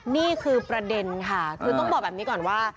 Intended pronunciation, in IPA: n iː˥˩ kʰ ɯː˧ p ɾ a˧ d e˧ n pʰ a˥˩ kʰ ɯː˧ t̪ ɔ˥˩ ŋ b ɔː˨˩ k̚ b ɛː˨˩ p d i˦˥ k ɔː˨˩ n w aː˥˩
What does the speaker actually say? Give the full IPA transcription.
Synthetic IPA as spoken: n iː˥˩ kʰ ɯː˧ p ɾ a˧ d e˧ n kʰ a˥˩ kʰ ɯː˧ t̪ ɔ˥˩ ŋ b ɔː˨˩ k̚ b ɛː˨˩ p n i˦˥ k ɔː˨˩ n w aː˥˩